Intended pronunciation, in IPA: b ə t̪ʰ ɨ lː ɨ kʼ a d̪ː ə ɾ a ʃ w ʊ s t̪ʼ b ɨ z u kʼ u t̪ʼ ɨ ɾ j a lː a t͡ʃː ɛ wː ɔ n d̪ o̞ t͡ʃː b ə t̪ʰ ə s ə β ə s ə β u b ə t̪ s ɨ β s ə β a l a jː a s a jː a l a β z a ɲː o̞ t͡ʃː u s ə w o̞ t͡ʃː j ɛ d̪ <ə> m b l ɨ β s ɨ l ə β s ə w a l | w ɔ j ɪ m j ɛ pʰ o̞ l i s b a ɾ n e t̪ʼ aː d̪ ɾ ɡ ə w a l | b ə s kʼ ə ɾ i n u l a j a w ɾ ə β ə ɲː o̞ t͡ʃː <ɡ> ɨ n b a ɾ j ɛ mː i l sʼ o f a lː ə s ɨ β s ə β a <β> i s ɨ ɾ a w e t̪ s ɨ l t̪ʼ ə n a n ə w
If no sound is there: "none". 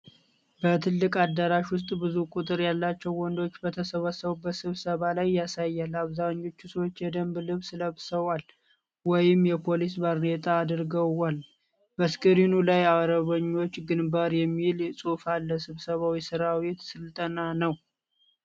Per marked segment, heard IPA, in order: ə, ɡ, w

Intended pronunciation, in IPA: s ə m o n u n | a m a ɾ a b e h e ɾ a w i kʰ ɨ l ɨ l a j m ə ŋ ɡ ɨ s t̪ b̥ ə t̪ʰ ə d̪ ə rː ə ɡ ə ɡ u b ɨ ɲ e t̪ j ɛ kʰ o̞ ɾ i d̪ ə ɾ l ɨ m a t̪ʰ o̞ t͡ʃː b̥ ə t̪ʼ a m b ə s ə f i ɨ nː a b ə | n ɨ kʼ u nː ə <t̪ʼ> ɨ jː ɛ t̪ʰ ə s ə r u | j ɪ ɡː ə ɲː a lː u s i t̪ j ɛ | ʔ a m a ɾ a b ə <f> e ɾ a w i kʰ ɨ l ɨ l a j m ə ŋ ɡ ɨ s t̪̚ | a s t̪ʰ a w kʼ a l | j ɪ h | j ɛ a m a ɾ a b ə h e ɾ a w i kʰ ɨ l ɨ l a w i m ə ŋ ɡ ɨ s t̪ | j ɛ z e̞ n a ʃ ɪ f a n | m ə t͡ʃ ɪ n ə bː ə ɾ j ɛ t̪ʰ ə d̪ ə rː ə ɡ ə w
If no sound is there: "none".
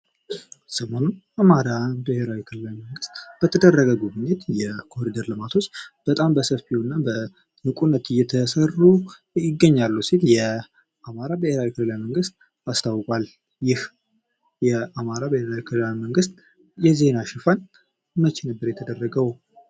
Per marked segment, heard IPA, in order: t̪, h

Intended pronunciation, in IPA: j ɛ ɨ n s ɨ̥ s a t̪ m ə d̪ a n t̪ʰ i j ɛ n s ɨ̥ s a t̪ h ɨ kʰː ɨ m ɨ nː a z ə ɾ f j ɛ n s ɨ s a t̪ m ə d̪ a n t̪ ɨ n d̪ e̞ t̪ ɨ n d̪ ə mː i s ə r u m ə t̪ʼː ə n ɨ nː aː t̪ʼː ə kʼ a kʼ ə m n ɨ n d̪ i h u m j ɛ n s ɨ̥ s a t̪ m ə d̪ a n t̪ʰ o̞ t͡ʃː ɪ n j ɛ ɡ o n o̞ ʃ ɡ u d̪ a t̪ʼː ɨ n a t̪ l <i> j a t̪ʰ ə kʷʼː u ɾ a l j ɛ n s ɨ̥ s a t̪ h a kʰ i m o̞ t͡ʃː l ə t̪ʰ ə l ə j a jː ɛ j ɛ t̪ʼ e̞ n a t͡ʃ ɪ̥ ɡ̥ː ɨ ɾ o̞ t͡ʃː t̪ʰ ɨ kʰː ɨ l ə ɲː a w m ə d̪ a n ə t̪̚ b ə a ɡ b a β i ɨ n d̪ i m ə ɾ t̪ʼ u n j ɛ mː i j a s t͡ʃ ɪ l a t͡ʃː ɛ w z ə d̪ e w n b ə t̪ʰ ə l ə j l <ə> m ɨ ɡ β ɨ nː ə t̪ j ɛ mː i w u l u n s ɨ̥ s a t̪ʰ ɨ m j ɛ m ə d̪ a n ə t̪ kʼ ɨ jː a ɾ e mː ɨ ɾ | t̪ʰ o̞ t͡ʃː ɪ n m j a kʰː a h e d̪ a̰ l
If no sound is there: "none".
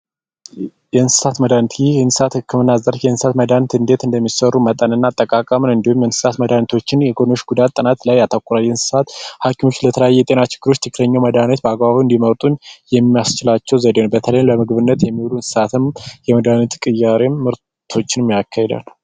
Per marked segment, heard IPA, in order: a, ə

